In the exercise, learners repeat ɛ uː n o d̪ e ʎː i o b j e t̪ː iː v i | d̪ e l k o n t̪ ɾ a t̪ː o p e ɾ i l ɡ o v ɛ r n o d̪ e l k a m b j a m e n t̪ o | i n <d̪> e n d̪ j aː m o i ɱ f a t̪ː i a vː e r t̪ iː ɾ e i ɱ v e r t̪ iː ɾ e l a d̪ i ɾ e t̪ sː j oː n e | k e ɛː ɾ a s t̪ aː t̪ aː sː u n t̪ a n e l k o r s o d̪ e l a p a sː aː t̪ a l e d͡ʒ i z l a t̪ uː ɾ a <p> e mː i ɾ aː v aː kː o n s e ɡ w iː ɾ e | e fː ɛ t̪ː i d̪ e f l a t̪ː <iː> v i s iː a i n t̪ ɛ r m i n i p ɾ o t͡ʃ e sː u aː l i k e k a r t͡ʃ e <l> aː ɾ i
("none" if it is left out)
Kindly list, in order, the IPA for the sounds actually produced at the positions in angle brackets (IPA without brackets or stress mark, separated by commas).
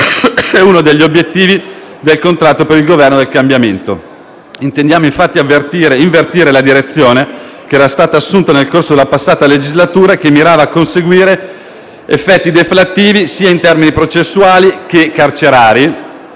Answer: t̪, k, iː, ɾ